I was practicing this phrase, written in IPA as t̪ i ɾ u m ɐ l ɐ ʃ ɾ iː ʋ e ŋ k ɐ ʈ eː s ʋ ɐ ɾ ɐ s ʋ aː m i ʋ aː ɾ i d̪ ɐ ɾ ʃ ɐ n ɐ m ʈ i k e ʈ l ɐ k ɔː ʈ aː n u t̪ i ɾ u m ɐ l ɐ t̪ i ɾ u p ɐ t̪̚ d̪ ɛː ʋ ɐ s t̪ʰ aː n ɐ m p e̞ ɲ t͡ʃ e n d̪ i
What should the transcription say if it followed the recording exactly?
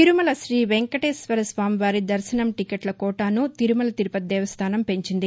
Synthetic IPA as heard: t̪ i ɾ u m ɐ l ɐ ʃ ɾ iː ʋ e ŋ k ɐ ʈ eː s ʋ ɐ ɾ ɐ s ʋ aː m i ʋ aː ɾ i d̪ ɐ ɾ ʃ ɐ n ɐ m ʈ i k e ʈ l ɐ k ɔː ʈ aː n u t̪ i ɾ u m ɐ l ɐ t̪ i ɾ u p ɐ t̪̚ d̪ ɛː ʋ ɐ s t̪ʰ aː n ɐ m p e̞ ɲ t͡ʃ i n d̪ i

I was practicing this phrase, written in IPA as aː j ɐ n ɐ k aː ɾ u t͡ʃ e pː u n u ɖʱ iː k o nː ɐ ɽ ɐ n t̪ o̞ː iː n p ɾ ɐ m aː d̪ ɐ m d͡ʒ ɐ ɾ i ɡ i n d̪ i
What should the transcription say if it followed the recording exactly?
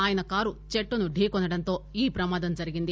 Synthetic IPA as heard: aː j ɐ n ɐ k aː ɾ u t͡ʃ e ʈː u n u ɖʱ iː k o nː ɐ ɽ ɐ n t̪ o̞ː iː p ɾ ɐ m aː d̪ ɐ m d͡ʒ ɐ ɾ i ɡ i n d̪ i

